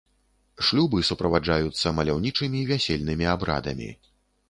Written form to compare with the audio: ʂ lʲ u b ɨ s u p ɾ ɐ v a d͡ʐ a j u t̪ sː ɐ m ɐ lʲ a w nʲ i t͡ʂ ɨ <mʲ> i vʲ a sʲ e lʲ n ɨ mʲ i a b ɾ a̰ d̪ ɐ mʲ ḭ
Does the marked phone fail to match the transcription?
no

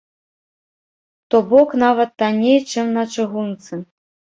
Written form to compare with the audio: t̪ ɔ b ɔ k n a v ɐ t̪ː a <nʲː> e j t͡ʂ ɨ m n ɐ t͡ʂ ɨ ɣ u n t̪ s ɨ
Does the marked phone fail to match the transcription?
yes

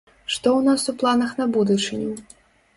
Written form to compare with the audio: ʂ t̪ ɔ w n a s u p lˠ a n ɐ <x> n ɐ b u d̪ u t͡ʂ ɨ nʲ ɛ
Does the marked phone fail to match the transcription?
no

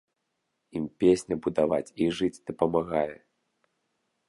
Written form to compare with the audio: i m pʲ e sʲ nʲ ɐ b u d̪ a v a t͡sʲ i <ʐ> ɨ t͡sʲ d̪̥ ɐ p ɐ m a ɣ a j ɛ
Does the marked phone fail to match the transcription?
no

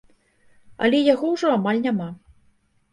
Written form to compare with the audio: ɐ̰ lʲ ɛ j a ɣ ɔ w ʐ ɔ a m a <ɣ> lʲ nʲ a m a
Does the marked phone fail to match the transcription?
yes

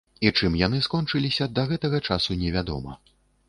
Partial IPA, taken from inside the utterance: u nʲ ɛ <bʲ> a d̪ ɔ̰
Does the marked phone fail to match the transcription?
yes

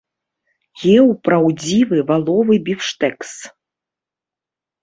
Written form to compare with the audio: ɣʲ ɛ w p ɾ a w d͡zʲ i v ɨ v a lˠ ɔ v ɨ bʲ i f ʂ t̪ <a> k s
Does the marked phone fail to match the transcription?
yes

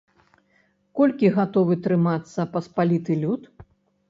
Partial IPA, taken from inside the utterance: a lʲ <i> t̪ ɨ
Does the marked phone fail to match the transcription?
no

